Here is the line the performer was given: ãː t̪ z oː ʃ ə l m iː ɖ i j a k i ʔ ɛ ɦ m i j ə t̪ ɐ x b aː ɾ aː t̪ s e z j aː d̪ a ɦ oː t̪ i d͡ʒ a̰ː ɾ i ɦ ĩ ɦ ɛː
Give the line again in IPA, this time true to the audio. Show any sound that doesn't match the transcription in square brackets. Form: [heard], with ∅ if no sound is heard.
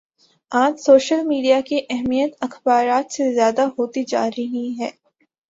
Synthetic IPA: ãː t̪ [s] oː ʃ ə l m iː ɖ i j a k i ʔ ɛ ɦ m i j ə t̪ ɐ x b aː ɾ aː t̪ s e z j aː d̪ a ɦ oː t̪ i d͡ʒ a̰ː ɾ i ɦ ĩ ɦ ɛː

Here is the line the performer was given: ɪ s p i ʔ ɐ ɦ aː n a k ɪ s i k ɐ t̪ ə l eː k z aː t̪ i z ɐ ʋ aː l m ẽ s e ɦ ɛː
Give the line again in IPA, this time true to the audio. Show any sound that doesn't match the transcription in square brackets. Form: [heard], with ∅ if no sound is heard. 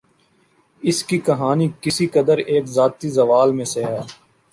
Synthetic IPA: ɪ s [k] i [k] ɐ ɦ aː n [i] k ɪ s i k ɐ [d̪] ə [ɾ] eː k z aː t̪ i z ɐ ʋ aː l m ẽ s e ɦ ɛː

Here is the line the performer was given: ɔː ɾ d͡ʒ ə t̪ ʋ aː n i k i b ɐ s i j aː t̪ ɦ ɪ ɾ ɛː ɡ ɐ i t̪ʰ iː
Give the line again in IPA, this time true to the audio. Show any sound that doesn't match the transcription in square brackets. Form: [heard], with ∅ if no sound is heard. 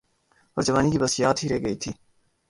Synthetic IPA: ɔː ɾ d͡ʒ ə [∅] ʋ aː n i k i b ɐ s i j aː t̪ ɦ [i] ɾ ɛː ɡ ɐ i t̪ʰ iː

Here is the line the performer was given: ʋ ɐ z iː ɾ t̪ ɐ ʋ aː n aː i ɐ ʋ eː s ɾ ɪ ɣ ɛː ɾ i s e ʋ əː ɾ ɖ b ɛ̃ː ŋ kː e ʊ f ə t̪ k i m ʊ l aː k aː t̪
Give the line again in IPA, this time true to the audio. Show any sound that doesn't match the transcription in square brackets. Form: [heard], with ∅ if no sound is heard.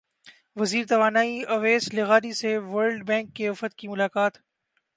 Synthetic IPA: ʋ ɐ z iː ɾ t̪ ɐ ʋ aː n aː i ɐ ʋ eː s [l] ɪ ɣ [aː] ɾ i s e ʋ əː ɾ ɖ b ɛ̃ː ŋ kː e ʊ f ə t̪ k i m ʊ l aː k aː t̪

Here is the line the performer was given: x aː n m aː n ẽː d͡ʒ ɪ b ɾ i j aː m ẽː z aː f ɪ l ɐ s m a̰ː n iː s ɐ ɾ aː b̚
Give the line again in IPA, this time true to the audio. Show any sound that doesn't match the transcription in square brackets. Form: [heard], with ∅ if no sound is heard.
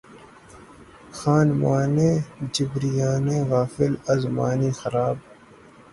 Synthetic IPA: x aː n m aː n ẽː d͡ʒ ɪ b ɾ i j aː [n] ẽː [ɣ] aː f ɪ l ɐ [z] m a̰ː n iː [x] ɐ ɾ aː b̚

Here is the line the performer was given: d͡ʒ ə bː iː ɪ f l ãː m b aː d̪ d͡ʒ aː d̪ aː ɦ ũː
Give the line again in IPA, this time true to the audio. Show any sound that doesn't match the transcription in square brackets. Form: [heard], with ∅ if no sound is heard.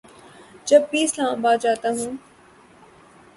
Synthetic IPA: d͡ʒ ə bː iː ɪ [s] l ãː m b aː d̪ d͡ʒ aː [t̪] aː ɦ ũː

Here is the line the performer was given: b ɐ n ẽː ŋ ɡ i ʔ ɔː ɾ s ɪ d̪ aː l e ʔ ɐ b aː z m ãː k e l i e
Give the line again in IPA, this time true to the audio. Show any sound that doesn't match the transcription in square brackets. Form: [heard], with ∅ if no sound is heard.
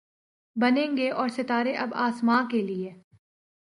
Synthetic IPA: b ɐ n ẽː ŋ ɡ [e] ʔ ɔː ɾ s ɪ [t̪] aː [ɾ] e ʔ ɐ b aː [s] m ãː k e l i e

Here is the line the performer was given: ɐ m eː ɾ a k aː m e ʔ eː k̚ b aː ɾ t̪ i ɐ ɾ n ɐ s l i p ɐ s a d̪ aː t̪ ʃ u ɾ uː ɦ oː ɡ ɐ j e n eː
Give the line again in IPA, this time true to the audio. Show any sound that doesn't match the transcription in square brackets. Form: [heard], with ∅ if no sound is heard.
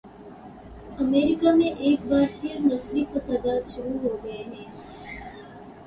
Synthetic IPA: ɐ m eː ɾ [i] k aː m e ʔ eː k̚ b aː ɾ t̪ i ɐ ɾ n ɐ s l i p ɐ s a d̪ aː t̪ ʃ u ɾ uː ɦ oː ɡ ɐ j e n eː

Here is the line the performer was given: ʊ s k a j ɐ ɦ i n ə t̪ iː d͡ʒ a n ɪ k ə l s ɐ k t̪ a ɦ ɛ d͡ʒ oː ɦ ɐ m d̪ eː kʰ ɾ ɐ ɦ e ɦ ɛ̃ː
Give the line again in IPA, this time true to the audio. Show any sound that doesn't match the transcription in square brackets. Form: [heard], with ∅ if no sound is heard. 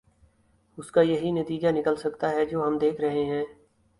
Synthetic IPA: ʊ s k a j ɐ ɦ i n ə t̪ iː d͡ʒ a n ɪ k ə l s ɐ k t̪ a ɦ ɛ d͡ʒ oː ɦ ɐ m d̪ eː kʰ ɾ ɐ ɦ e ɦ ɛ̃ː

